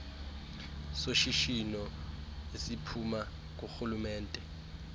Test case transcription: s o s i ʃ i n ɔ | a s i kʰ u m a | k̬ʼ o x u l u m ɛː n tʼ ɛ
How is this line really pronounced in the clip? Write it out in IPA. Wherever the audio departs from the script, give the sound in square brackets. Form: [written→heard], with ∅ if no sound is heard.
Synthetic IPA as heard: s o [s→ʃ] i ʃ i n ɔ | [a→e] s i [kʰ→pʰ] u m a | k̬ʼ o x u l u m ɛː n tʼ ɛ